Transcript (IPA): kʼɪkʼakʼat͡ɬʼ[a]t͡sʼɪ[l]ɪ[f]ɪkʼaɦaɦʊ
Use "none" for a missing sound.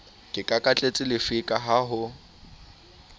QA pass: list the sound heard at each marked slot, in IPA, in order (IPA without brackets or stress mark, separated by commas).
e, l, f